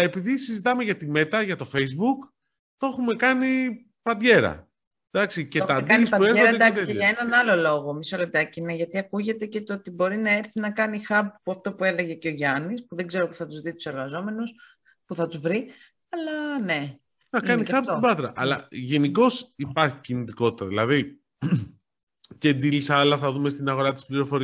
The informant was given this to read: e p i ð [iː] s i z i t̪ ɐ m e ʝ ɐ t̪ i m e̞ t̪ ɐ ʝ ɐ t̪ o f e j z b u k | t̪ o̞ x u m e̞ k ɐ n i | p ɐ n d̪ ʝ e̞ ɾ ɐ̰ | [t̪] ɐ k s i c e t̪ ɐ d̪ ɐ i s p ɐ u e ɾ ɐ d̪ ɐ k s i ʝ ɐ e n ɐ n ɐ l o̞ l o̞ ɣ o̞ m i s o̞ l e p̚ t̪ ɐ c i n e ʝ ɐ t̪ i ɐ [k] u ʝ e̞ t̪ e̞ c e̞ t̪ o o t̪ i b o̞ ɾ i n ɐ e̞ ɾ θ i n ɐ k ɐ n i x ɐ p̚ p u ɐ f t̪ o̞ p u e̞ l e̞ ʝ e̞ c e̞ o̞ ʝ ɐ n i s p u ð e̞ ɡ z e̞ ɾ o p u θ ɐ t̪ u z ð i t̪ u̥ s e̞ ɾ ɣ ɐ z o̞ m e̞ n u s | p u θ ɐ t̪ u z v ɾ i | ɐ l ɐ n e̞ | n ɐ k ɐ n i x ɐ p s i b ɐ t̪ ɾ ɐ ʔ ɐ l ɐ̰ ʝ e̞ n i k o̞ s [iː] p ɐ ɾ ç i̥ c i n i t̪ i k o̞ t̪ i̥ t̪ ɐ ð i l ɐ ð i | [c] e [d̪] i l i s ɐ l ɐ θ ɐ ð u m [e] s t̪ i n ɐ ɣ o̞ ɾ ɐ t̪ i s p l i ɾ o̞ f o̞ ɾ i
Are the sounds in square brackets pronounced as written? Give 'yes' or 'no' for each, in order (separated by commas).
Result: no, no, yes, no, yes, yes, yes